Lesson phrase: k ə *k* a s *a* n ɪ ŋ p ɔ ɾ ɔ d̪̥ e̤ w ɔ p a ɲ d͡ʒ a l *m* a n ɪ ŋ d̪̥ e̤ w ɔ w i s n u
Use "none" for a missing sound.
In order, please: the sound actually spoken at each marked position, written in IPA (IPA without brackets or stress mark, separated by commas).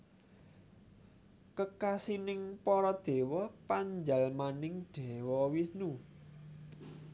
k, i, m